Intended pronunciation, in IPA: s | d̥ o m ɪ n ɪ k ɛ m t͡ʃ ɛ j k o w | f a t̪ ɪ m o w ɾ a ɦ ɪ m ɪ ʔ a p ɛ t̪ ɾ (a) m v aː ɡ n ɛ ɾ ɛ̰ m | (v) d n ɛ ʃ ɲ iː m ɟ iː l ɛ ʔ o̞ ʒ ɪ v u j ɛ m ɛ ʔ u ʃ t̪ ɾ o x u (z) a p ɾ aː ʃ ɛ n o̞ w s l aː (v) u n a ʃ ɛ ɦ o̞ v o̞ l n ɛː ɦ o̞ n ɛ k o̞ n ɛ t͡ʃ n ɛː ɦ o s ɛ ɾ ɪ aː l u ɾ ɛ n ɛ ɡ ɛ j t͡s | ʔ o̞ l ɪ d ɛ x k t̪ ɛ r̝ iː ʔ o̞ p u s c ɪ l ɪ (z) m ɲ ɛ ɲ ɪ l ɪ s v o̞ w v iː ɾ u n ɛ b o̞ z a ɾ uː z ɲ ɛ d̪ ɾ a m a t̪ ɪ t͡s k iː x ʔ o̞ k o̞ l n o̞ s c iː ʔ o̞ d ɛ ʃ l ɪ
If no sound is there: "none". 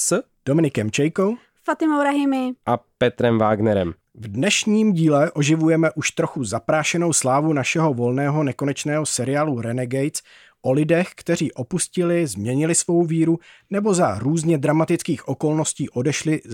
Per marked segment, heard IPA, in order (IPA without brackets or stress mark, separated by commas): ɛ, v, z, v, z